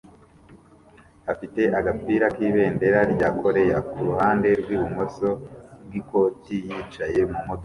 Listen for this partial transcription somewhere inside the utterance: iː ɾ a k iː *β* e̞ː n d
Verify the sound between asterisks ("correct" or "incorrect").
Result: correct